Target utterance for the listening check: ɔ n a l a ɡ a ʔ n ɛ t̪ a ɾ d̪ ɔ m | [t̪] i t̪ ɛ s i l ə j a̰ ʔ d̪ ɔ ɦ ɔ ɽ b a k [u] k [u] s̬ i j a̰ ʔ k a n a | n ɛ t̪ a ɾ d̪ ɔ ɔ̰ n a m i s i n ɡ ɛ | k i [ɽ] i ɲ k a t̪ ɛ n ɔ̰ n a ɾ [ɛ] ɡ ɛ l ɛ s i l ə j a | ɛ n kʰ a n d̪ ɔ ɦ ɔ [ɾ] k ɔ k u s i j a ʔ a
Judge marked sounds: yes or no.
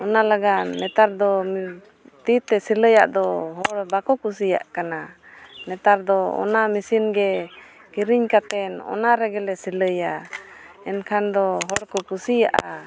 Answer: yes, no, yes, no, yes, no

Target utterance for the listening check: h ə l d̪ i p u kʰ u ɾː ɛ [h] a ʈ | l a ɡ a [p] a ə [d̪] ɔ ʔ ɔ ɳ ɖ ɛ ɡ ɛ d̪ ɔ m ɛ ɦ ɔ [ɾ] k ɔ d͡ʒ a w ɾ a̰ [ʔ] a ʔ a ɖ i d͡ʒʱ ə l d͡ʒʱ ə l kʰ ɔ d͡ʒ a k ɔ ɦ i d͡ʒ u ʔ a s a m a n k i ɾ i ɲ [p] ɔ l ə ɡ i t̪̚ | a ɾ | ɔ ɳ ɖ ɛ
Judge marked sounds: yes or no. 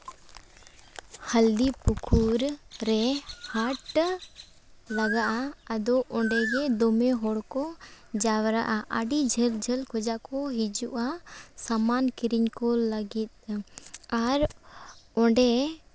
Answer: yes, no, yes, no, yes, no

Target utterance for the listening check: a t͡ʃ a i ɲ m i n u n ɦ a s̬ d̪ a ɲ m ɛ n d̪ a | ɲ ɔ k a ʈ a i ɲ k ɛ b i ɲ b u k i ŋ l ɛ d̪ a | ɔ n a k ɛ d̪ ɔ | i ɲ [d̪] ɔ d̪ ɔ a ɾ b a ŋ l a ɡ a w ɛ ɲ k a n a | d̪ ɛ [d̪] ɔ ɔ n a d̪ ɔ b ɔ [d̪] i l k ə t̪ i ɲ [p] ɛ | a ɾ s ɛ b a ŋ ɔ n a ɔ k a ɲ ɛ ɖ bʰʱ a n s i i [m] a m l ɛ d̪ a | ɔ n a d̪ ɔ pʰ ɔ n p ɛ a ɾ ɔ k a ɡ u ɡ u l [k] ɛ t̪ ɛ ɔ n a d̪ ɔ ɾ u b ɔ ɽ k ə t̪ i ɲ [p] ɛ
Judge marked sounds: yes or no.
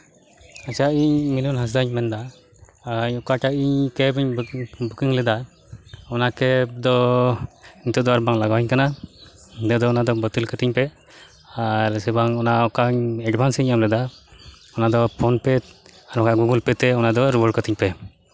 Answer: no, yes, no, yes, no, no, yes

